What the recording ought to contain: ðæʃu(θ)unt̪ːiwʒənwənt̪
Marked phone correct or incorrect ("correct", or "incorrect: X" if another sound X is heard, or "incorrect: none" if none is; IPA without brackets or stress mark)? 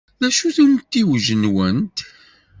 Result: correct